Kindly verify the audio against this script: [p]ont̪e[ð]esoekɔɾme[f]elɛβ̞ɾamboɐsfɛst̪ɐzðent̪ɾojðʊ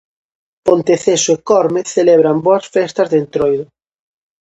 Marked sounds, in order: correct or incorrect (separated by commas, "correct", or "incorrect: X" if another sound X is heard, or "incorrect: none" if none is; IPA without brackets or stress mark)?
correct, incorrect: θ, incorrect: θ